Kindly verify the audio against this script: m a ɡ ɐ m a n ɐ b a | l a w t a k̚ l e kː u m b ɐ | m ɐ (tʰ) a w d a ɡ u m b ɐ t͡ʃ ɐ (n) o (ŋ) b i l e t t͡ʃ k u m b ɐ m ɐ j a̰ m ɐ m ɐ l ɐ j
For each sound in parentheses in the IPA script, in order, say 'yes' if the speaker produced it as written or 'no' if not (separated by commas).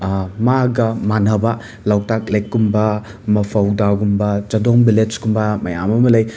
no, no, yes